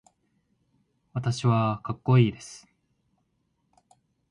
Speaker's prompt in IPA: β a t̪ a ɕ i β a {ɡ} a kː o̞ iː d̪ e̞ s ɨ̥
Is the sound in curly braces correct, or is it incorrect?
incorrect